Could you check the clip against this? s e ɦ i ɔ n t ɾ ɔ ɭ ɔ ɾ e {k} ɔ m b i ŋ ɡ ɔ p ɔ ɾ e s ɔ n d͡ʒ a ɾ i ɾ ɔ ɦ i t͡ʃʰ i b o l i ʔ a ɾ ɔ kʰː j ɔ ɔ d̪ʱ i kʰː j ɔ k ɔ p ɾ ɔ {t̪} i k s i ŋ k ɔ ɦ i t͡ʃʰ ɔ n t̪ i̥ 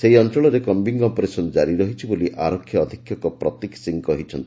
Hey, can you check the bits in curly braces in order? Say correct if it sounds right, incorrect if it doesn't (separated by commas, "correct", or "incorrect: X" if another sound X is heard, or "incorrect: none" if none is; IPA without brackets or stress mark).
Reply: correct, correct